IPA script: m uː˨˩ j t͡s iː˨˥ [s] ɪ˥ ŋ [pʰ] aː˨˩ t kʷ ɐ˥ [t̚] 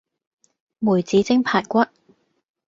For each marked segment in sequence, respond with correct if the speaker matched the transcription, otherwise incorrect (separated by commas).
incorrect, correct, correct